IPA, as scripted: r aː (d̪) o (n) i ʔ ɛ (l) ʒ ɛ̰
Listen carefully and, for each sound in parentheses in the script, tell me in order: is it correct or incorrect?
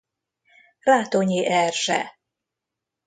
incorrect, incorrect, incorrect

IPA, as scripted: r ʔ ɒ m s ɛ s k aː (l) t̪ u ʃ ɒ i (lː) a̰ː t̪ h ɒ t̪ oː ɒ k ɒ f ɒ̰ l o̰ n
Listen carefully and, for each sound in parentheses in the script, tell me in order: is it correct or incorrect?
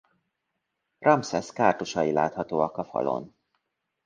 incorrect, incorrect

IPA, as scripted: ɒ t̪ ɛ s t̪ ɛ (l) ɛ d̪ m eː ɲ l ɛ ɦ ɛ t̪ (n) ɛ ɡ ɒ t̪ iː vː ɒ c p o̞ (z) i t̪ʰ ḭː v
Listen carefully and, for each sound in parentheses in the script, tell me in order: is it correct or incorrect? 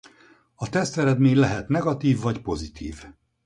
incorrect, correct, correct

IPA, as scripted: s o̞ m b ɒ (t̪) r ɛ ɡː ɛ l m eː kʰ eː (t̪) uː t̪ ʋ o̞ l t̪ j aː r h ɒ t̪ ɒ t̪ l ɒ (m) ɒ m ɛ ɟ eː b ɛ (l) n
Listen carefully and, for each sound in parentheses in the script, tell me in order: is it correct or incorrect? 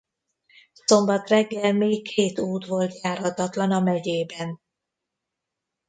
correct, correct, incorrect, incorrect

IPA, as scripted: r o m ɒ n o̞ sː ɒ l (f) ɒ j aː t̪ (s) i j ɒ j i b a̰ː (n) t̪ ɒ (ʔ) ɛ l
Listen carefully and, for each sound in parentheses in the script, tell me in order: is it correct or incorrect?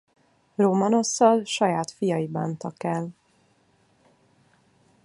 incorrect, incorrect, correct, incorrect

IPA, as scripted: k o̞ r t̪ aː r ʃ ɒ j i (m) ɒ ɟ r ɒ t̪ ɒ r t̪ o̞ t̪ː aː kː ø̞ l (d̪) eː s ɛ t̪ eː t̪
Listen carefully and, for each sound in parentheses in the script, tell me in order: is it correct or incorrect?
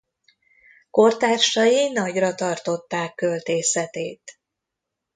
incorrect, incorrect

